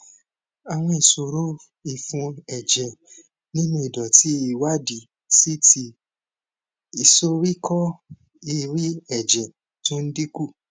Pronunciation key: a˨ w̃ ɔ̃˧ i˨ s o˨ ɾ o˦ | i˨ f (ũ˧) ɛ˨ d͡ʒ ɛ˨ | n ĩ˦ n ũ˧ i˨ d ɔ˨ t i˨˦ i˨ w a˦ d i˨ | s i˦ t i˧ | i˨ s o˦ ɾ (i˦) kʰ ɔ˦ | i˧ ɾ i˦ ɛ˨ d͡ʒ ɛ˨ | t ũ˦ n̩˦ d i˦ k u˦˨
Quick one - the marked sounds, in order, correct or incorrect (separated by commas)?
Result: correct, correct